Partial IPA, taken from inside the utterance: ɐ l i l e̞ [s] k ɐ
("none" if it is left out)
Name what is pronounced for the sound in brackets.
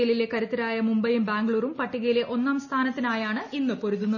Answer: none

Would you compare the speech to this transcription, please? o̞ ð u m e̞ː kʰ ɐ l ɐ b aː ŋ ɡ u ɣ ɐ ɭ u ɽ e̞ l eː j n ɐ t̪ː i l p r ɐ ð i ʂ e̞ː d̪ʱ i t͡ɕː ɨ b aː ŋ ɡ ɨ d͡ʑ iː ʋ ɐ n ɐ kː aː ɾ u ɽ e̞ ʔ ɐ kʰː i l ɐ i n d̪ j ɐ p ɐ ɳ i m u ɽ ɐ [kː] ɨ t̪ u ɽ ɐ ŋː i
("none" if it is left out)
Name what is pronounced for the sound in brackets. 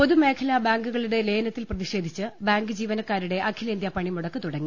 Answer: kː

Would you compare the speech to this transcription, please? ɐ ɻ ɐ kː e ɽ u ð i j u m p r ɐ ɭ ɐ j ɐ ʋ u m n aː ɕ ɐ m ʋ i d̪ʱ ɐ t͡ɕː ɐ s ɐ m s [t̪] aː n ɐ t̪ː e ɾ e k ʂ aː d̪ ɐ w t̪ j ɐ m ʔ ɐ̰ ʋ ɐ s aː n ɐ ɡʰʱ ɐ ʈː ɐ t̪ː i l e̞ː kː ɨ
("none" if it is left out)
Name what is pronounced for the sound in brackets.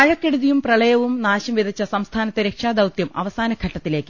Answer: t̪ʰ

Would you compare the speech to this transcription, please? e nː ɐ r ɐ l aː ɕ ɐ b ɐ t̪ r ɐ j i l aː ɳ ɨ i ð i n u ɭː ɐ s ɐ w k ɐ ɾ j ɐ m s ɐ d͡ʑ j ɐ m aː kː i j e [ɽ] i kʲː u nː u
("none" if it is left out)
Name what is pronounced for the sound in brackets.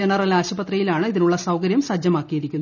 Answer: ɾ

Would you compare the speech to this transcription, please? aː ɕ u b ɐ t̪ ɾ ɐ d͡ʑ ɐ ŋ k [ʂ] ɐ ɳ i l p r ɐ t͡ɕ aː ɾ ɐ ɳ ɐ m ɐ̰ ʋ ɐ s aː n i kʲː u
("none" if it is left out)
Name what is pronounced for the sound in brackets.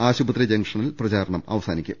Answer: ʂ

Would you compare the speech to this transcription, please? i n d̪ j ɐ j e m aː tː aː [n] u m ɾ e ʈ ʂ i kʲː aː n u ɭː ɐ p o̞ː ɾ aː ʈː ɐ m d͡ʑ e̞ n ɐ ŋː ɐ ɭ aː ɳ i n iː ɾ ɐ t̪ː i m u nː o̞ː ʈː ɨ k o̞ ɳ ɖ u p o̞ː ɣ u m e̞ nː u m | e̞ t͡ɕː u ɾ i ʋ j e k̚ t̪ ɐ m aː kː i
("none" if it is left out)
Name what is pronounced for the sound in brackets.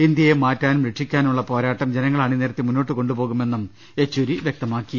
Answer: n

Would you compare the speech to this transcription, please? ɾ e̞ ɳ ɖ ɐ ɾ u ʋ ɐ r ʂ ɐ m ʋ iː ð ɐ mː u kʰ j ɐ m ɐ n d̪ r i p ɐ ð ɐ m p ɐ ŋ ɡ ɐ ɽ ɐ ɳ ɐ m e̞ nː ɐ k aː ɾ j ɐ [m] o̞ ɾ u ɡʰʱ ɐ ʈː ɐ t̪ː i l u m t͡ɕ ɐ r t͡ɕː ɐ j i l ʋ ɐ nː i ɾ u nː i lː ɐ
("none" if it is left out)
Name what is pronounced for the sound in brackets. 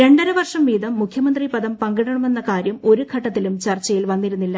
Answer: m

